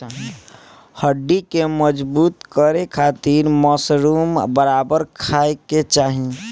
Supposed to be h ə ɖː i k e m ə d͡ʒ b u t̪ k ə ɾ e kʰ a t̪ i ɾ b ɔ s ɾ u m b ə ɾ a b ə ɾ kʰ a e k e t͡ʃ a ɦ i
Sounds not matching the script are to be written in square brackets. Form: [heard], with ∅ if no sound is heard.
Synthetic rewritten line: h ə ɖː i k e m ə d͡ʒ b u t̪ k ə ɾ e kʰ a t̪ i ɾ [m] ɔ s ɾ u m b ə ɾ a b ə ɾ kʰ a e k e t͡ʃ a ɦ i